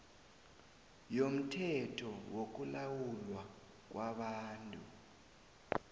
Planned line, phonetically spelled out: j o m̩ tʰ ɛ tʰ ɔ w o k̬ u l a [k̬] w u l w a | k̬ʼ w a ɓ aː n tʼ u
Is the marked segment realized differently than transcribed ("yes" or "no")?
yes